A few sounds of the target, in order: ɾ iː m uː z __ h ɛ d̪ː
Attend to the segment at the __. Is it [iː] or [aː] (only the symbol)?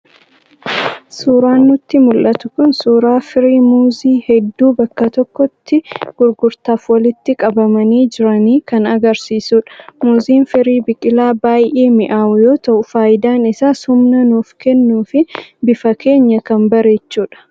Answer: iː